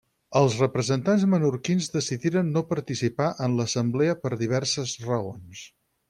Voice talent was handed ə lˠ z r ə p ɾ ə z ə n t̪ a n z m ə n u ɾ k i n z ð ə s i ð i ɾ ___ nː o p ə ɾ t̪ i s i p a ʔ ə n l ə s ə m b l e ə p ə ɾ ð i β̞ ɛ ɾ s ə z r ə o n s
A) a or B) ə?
B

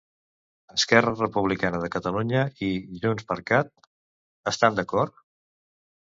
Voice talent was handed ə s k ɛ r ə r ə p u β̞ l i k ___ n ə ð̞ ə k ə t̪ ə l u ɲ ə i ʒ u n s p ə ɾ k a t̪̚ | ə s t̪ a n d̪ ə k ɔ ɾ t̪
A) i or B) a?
B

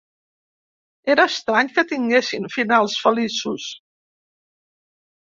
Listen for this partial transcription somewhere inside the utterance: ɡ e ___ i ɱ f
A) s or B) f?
A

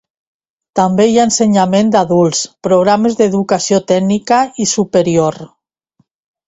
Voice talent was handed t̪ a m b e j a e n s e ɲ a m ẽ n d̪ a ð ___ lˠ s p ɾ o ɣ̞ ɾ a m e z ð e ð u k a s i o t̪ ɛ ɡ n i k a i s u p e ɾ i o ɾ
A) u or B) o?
A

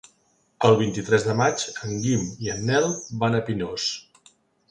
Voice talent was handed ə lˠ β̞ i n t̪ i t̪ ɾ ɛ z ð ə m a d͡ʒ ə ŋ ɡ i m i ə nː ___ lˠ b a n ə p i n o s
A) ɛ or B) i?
A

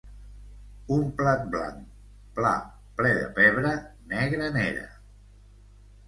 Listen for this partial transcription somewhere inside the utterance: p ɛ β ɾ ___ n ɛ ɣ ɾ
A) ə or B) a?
A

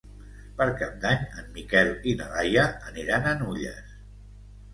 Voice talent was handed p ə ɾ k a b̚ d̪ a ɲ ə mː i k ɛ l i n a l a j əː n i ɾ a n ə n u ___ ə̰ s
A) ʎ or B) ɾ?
A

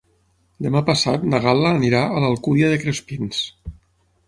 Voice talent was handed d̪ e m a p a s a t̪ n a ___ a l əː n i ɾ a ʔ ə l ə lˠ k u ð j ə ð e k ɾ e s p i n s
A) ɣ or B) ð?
A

